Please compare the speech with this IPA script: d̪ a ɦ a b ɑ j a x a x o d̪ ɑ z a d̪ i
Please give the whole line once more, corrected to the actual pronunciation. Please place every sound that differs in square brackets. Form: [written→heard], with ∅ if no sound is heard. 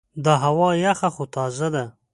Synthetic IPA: d̪ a ɦ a [b→w] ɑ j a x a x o [d̪→t̪] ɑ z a d̪ [i→a]

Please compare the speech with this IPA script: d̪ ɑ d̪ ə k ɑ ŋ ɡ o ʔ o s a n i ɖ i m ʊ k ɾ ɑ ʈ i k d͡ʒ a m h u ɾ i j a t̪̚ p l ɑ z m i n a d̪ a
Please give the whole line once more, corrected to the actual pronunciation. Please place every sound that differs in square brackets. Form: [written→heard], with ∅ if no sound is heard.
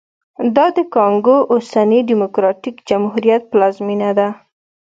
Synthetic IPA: d̪ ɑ d̪ ə k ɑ ŋ ɡ o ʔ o s a n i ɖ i m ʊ k ɾ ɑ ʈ i k d͡ʒ a m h u ɾ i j a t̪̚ p l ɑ z m i n a d̪ a

